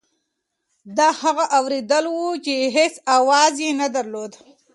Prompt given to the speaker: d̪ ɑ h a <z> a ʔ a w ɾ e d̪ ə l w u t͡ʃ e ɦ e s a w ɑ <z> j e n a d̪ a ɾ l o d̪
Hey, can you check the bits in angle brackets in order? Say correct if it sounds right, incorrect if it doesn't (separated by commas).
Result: incorrect, correct